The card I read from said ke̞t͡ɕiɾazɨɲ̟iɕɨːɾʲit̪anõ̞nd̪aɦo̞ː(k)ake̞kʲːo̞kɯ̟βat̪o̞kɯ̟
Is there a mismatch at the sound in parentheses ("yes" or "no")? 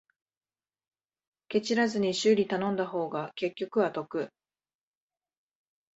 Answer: yes